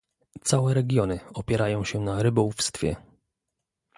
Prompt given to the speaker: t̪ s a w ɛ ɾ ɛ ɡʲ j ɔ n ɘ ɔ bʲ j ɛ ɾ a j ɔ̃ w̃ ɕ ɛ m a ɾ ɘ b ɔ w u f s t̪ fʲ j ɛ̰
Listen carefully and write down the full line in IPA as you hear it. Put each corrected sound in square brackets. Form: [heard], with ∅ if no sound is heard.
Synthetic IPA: t̪ s a w ɛ ɾ ɛ ɡʲ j ɔ n ɘ ɔ [pʲ] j ɛ ɾ a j ɔ̃ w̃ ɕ ɛ [n] a ɾ ɘ b ɔ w u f s t̪ fʲ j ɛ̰

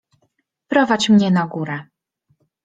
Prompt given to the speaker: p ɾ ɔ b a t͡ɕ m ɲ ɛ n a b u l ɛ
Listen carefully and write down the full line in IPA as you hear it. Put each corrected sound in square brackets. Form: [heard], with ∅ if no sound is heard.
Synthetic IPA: p ɾ ɔ [v] a t͡ɕ m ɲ ɛ n a [ɡ] u [ɾ] ɛ

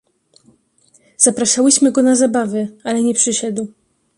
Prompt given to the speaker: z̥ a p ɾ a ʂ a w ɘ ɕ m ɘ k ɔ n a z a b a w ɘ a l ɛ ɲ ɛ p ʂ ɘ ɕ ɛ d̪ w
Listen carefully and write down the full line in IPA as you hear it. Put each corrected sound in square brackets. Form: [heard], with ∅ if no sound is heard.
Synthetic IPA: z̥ a p ɾ a ʂ a w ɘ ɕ m ɘ [ɡ] ɔ n a z a b a [v] ɘ a l ɛ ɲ ɛ p ʂ ɘ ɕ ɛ d̪ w

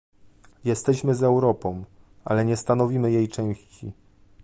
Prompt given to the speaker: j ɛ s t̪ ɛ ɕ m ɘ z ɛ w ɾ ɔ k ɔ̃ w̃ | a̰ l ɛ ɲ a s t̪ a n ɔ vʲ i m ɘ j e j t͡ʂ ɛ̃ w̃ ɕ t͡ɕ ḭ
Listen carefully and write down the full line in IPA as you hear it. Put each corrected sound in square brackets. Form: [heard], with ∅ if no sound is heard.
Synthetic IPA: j ɛ s t̪ ɛ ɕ m ɘ z ɛ w ɾ ɔ [p] ɔ̃ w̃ | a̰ l ɛ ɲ [ɛ] s t̪ a n ɔ vʲ i m ɘ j e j t͡ʂ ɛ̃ w̃ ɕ t͡ɕ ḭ

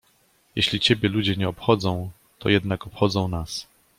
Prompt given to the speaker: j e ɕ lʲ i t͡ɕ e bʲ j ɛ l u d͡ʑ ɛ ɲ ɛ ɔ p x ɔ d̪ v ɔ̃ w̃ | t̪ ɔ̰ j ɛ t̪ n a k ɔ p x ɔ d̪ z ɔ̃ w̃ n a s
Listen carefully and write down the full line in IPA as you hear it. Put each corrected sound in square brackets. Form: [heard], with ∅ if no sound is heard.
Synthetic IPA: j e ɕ lʲ i t͡ɕ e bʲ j ɛ l u d͡ʑ ɛ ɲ ɛ ɔ p x ɔ d̪ [z] ɔ̃ w̃ | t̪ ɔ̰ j ɛ [d̪] n a k ɔ p x ɔ d̪ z ɔ̃ w̃ n a s

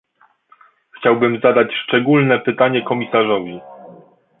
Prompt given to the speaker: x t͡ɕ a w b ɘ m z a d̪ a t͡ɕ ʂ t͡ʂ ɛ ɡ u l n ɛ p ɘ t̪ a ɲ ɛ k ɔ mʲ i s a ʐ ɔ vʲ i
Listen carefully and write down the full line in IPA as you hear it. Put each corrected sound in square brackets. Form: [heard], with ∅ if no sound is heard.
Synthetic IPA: x t͡ɕ a w b ɘ m z a d̪ a t͡ɕ ʂ t͡ʂ ɛ ɡ u l n ɛ p ɘ t̪ a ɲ ɛ k ɔ mʲ i s a ʐ ɔ vʲ i

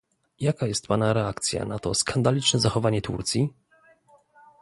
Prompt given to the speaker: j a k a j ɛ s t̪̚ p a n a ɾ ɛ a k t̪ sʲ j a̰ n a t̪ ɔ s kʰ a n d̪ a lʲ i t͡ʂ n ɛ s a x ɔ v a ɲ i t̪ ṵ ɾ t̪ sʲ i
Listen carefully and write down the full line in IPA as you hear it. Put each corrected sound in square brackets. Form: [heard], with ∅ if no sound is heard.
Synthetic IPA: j a k a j ɛ s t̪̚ p a n a ɾ ɛ a k t̪ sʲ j a̰ n a t̪ ɔ s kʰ a n d̪ a lʲ i t͡ʂ n ɛ [z] a x ɔ v a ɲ [ɛ] t̪ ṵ ɾ t̪ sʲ i

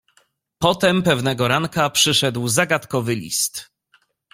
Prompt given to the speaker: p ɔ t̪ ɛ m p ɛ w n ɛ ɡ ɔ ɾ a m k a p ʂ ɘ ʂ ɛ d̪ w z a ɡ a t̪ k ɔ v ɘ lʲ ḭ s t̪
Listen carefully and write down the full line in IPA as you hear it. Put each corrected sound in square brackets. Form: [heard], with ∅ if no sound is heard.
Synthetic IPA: p ɔ t̪ ɛ m p ɛ [v] n ɛ ɡ ɔ ɾ a [ŋ] k a p ʂ ɘ ʂ ɛ d̪ w z a ɡ a t̪ k ɔ v ɘ lʲ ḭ s t̪

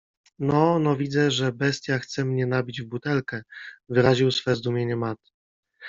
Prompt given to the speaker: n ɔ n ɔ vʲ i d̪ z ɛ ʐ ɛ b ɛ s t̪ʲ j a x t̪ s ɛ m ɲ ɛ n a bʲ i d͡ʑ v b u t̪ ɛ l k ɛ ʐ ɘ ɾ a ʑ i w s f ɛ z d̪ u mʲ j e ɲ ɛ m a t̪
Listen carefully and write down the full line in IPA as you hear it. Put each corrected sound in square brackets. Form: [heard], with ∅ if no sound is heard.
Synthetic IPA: n ɔ n ɔ vʲ i d̪ z ɛ ʐ ɛ b ɛ s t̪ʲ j a x t̪ s ɛ m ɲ ɛ n a bʲ i d͡ʑ v b u t̪ ɛ l k ɛ [v] ɘ ɾ a ʑ i w s f ɛ z d̪ u mʲ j e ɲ ɛ m a t̪

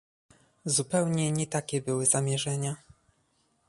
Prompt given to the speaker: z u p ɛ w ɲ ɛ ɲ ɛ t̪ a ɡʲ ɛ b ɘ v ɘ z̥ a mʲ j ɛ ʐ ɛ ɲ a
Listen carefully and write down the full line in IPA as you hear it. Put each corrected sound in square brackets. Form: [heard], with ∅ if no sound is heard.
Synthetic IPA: z u p ɛ w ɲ ɛ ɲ ɛ t̪ a [kʲ] ɛ b ɘ [w] ɘ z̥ a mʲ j ɛ ʐ ɛ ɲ a

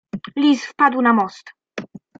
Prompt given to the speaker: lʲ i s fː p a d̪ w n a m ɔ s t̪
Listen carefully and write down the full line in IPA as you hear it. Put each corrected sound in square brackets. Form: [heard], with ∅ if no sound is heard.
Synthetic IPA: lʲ i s [f] p a d̪ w n a m ɔ s t̪

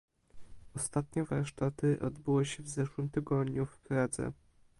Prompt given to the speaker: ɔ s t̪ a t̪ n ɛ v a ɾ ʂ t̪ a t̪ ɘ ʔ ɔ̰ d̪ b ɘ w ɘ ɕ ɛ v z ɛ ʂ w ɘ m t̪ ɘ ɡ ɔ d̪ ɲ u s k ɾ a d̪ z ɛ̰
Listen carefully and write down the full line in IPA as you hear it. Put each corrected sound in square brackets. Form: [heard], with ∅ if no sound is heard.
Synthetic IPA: ɔ s t̪ a t̪ [ɲ] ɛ v a ɾ ʂ t̪ a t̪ ɘ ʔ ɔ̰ d̪ b ɘ w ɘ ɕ ɛ v z ɛ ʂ w ɘ m t̪ ɘ ɡ ɔ d̪ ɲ u [f] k ɾ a d̪ z ɛ̰

